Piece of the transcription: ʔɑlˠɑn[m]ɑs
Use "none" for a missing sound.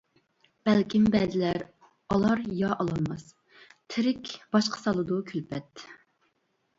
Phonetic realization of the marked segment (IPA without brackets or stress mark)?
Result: m